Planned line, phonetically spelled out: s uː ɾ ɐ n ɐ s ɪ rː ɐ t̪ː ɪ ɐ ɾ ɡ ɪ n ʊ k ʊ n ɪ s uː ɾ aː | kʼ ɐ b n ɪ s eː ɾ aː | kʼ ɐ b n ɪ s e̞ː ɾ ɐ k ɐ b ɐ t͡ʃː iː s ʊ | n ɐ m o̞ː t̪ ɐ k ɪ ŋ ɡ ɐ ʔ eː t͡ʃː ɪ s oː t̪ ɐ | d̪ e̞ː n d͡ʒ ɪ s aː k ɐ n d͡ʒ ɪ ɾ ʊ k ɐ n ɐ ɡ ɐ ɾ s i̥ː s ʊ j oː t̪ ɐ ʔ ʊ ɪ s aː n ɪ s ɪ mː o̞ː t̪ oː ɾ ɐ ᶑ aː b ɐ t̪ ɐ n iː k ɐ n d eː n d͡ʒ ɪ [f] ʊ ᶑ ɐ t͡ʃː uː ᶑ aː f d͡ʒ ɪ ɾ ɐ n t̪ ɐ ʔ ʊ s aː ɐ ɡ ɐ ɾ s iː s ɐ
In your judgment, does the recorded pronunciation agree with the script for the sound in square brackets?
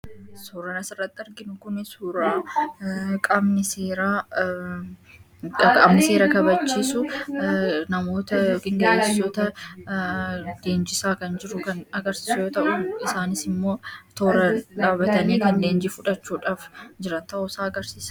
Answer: yes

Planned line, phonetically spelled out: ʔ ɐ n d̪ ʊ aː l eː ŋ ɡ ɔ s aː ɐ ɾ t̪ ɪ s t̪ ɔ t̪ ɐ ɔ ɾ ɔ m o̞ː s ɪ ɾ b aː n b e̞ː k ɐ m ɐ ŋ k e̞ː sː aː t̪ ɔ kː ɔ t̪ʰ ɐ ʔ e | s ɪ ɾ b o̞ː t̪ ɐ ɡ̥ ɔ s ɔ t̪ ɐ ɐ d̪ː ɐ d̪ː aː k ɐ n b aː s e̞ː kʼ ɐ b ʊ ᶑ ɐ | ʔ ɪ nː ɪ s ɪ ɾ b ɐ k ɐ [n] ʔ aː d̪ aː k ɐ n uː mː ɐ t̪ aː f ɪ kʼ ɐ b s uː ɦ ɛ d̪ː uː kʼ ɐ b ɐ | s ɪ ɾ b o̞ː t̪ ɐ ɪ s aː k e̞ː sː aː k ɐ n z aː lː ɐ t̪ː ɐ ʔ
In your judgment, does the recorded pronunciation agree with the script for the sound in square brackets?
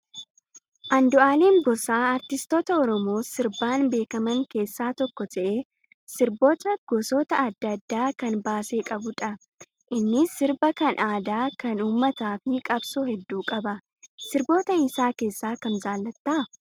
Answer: yes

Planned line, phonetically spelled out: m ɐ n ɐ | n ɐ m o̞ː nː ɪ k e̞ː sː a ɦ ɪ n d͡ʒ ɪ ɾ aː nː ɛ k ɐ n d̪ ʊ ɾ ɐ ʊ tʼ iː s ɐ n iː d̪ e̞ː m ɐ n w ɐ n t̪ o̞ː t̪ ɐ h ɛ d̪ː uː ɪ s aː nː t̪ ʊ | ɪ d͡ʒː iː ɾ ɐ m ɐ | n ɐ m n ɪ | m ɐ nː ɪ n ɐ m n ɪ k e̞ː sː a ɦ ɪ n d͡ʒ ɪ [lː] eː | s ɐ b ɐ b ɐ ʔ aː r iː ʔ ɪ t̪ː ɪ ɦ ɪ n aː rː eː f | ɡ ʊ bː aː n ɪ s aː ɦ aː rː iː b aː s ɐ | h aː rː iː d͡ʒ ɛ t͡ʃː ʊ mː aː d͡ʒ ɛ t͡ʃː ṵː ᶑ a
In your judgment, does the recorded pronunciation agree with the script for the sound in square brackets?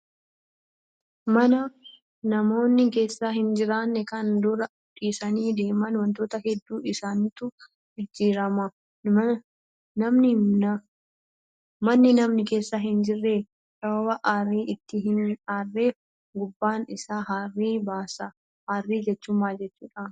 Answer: no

